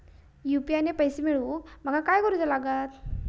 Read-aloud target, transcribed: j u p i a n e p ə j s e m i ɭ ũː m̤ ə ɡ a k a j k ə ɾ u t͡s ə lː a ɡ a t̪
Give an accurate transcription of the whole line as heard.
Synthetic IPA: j u p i a n e p ə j s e m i ɭ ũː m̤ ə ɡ a k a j k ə ɾ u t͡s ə l a ɡ a t̪